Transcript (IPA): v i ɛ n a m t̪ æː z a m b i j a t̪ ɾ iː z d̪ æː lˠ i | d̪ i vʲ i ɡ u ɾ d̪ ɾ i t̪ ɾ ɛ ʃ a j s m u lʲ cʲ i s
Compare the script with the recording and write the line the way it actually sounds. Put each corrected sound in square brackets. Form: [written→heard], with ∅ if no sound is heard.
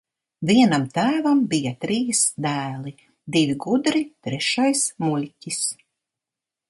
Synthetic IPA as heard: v i ɛ n a m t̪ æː [z→v] a m b i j a t̪ ɾ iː [z→s] d̪ æː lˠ i | d̪ i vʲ i ɡ u [ɾ→∅] d̪ ɾ i t̪ ɾ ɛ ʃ a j s m u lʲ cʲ i s